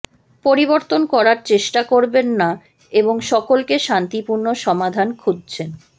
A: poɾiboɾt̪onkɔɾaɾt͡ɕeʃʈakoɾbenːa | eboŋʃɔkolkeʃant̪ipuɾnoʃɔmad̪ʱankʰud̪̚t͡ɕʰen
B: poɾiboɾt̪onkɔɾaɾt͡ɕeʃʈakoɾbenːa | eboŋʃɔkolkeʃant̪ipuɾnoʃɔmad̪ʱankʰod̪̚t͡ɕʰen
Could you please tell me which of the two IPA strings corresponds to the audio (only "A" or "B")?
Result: A